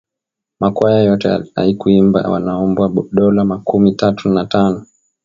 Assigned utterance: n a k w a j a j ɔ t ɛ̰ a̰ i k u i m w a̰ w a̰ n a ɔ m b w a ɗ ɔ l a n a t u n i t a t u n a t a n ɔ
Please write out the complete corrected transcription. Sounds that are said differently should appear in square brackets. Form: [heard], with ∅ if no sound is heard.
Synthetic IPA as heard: [m] a k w a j a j ɔ t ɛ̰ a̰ i k u i m [b] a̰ w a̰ n a ɔ m b w a ɗ ɔ l a [m] a [k] u [m] i t a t u n a t a n ɔ